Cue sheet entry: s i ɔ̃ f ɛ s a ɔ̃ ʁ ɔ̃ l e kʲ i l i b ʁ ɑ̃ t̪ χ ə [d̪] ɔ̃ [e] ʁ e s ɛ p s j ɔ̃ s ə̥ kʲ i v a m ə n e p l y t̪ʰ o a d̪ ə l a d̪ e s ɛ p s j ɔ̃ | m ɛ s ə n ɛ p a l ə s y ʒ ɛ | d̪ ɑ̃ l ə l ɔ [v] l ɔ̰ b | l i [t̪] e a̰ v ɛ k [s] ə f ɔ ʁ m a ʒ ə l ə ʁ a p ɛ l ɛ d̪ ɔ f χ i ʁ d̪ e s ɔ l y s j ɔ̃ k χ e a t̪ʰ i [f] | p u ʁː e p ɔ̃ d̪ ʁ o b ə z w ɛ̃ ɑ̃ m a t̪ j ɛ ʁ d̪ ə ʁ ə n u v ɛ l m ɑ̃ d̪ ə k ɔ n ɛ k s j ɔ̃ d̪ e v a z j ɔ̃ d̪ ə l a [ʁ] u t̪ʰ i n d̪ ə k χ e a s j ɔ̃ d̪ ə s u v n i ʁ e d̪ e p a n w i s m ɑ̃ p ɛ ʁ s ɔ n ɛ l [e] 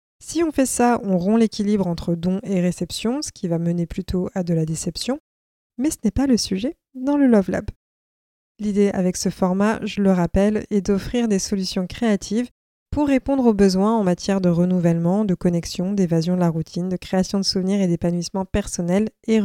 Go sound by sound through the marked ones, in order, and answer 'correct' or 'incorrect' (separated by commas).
correct, correct, correct, incorrect, correct, incorrect, correct, correct